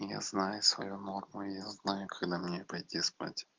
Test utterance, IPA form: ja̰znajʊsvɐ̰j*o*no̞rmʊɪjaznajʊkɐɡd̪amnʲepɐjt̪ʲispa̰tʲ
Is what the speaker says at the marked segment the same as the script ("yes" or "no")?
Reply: no